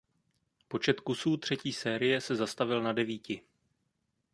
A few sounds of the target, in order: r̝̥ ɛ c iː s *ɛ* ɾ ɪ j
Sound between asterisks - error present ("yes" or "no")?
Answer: yes